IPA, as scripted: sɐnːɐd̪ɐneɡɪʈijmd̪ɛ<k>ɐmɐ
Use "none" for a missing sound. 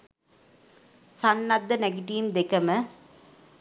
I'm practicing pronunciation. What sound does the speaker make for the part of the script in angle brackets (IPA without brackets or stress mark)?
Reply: k